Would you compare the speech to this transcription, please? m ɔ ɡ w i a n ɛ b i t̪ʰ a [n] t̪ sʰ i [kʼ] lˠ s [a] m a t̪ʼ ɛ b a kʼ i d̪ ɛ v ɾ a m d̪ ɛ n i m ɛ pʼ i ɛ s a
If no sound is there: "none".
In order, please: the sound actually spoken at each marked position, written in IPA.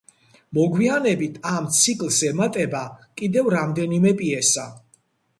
m, kʼ, ɛ

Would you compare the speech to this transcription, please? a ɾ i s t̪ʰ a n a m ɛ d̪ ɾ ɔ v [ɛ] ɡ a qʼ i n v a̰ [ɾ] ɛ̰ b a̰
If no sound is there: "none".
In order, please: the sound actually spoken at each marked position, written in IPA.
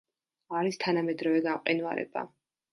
ɛ, ɾ

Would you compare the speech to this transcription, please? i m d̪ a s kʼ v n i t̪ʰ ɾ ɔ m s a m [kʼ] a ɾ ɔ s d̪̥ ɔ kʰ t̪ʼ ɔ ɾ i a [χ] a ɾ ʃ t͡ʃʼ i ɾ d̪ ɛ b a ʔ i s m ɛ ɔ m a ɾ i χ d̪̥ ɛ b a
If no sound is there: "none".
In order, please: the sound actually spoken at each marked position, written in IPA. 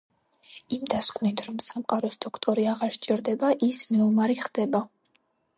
qʼ, ʁ

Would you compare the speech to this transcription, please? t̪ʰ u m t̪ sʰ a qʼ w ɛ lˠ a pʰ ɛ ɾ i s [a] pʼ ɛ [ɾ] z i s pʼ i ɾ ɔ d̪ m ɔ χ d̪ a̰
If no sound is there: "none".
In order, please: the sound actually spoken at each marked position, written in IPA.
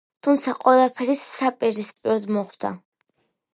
a, ɾ

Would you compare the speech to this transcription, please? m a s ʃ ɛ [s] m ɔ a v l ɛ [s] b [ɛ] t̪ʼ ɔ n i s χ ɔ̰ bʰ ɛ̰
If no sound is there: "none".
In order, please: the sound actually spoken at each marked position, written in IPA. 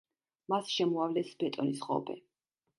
none, s, ɛ

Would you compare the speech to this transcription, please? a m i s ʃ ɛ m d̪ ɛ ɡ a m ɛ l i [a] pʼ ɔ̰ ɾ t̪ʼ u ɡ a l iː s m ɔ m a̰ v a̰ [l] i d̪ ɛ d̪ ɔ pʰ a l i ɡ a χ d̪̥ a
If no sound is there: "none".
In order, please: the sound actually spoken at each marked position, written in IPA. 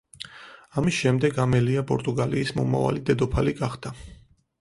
a, l

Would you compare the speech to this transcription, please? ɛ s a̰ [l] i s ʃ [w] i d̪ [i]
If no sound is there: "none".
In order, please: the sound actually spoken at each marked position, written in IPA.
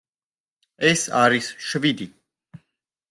ɾ, v, i

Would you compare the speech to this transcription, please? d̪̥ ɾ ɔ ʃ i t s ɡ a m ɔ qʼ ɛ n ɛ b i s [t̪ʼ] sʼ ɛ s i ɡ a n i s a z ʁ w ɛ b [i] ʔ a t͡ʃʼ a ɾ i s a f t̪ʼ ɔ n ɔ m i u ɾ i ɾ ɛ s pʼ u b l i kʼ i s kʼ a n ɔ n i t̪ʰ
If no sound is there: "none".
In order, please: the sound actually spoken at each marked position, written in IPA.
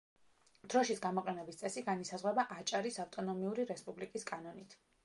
t̪, a

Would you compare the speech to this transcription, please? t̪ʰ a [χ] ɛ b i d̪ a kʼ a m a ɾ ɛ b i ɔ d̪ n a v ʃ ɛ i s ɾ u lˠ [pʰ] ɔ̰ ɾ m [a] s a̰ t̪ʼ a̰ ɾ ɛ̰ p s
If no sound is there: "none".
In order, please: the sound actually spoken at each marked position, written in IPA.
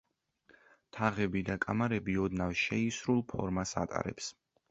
ʁ, pʰ, a

